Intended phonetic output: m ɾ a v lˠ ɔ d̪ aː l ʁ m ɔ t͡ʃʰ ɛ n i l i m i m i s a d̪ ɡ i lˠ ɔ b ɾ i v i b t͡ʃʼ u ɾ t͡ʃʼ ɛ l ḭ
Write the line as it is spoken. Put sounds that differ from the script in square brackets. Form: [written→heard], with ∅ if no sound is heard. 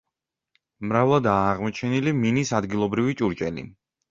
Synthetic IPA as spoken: m ɾ a v lˠ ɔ d̪ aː [l→∅] ʁ m ɔ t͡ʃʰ ɛ n i l i m i [m→n] i s a d̪ ɡ i lˠ ɔ b ɾ i v i [b→∅] t͡ʃʼ u ɾ t͡ʃʼ ɛ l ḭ